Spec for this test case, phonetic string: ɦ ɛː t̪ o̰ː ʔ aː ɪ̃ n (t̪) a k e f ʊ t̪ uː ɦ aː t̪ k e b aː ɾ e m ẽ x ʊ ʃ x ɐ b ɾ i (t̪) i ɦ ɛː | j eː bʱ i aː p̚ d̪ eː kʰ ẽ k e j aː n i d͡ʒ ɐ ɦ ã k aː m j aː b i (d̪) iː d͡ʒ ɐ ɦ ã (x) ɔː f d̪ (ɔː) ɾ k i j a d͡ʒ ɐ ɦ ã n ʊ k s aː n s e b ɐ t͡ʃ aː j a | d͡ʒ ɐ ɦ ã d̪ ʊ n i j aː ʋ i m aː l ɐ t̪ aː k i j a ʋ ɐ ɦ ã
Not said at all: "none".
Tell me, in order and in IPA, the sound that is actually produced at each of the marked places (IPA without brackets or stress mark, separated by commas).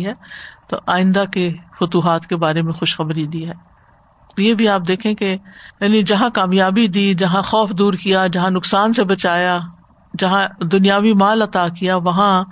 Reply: d̪, d̪, d̪, x, uː